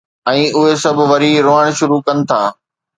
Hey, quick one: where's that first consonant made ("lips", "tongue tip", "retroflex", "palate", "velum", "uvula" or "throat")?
throat